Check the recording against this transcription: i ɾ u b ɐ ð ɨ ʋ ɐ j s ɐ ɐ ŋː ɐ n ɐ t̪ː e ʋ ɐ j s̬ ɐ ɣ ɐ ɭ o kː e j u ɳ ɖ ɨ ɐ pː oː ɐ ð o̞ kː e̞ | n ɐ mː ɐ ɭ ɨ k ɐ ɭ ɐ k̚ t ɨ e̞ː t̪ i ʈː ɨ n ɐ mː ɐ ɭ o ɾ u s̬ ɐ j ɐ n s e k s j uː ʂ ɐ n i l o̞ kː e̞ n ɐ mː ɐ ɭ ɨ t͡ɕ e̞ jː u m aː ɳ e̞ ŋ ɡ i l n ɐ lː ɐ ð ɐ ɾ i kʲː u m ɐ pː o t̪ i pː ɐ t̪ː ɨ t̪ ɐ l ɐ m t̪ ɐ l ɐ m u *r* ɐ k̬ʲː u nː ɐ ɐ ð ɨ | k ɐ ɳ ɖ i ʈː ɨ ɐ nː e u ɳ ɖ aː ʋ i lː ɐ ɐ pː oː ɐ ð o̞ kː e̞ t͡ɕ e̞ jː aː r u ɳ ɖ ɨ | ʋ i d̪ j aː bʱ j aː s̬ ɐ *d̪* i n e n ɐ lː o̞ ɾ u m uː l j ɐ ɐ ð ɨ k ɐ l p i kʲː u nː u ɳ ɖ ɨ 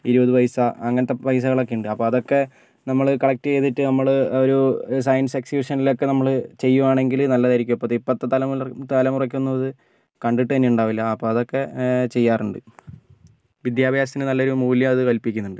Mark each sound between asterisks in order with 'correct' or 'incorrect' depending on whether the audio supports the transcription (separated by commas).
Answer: correct, incorrect